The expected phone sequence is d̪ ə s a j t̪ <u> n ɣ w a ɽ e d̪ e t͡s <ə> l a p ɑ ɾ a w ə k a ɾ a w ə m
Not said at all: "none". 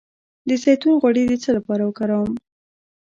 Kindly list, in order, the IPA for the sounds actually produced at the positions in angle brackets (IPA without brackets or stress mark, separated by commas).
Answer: u, ə